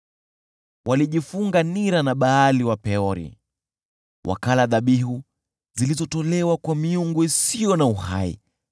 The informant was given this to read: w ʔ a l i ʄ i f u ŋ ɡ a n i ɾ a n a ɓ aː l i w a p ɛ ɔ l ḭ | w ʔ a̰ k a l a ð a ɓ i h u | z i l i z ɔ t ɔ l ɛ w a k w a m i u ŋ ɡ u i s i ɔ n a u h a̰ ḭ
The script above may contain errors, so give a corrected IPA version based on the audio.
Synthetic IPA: w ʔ a l i ʄ i f u ŋ ɡ a n i ɾ a n a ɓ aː l i w a p ɛ ɔ ɾ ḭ | w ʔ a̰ k a l a ð a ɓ i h u | z i l i z ɔ t ɔ l ɛ w a k w a m i u ŋ ɡ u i s i ɔ n a u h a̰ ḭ